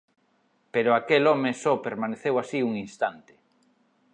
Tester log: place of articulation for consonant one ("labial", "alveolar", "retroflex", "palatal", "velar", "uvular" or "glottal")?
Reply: labial